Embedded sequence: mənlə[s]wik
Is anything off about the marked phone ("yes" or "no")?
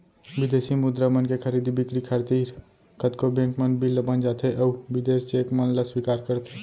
no